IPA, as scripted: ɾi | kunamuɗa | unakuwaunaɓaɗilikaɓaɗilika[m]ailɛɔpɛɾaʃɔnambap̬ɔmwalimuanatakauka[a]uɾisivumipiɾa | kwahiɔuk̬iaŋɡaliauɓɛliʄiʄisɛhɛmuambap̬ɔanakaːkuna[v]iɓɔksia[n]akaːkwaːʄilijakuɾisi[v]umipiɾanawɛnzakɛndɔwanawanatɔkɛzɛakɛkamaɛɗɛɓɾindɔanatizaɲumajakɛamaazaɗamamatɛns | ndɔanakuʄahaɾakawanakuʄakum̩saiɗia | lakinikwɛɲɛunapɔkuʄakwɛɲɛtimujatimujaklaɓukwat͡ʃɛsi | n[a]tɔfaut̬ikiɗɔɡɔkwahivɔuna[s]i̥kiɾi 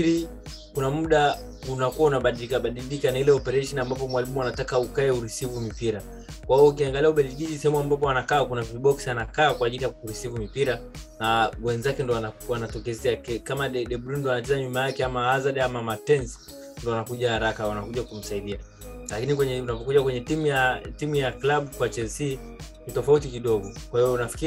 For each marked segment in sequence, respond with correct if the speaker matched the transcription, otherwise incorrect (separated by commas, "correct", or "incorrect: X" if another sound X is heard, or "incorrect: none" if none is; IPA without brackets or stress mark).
incorrect: n, incorrect: ɛ, correct, correct, correct, incorrect: i, incorrect: f